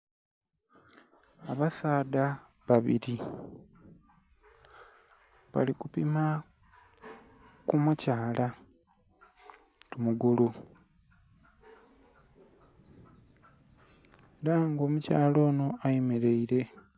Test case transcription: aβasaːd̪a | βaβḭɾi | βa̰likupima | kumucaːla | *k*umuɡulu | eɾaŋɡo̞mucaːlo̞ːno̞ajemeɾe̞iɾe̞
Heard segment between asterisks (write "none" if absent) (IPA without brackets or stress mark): t